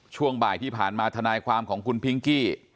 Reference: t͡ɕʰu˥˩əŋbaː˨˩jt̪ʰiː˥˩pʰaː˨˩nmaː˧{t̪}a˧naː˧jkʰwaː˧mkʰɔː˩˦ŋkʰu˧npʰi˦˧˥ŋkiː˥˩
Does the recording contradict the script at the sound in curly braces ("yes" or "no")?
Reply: yes